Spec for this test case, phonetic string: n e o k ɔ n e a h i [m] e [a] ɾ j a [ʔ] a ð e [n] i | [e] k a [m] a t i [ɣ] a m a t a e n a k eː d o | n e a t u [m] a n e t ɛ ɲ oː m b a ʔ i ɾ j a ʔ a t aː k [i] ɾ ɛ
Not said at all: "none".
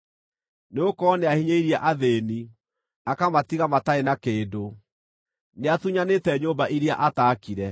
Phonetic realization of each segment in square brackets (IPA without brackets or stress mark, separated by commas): ɲ, i, ʔ, n, a, m, ɣ, ɲ, i